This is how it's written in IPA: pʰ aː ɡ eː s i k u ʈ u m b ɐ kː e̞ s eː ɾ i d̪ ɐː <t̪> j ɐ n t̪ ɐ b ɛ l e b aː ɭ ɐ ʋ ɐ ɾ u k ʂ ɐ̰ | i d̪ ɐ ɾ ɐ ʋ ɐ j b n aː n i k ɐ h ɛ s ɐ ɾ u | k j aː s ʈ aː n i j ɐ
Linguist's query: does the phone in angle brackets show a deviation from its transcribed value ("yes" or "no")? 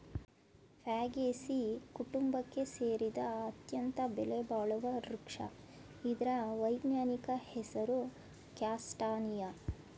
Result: no